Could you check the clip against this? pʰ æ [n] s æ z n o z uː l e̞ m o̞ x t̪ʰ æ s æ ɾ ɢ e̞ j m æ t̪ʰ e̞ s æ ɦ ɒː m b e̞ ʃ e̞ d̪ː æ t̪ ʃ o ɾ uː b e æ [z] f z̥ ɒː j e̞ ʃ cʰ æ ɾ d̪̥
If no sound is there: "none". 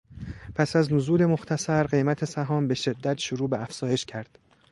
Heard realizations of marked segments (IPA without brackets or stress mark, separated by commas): none, none